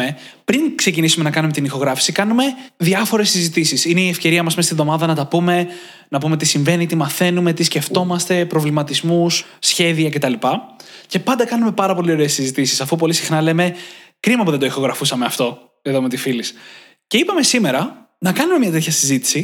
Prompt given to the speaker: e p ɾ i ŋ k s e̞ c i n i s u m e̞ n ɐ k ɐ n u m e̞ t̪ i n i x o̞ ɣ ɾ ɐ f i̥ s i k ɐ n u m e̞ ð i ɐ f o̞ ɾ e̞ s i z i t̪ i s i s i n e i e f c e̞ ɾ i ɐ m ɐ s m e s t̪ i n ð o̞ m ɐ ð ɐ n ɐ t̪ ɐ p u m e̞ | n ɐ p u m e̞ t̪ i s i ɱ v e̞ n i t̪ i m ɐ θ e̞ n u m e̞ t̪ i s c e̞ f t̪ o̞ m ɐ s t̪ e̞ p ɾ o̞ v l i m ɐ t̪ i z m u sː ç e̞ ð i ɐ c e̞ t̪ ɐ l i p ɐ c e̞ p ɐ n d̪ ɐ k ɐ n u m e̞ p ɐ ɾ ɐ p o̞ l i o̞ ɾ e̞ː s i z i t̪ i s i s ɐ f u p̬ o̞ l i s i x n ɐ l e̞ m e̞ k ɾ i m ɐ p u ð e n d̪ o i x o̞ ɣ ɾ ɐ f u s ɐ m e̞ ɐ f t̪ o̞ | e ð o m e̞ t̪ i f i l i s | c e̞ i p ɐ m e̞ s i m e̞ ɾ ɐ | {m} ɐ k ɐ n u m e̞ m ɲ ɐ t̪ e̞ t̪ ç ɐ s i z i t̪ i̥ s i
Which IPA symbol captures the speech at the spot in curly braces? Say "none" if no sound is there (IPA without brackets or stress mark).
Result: n